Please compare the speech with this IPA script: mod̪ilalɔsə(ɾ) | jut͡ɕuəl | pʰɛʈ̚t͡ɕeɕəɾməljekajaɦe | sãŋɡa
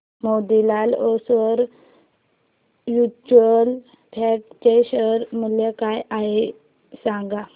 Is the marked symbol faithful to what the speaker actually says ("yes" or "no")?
yes